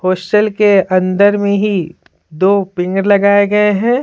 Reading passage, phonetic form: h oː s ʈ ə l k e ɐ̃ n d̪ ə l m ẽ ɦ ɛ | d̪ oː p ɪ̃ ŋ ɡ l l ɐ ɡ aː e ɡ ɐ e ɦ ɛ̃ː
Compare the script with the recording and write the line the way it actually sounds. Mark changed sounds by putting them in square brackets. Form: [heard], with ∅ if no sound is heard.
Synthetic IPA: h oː s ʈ ə l k e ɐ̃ n d̪ ə [ɾ] m ẽ ɦ [i] | d̪ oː p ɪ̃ ŋ ɡ [ɾ] l ɐ ɡ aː e ɡ ɐ e ɦ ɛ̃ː